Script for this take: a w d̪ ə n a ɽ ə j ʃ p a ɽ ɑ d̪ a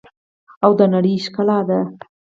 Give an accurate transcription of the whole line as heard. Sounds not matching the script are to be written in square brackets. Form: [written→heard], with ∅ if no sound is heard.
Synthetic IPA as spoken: a w d̪ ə n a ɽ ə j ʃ [p→k] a [ɽ→l] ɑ d̪ a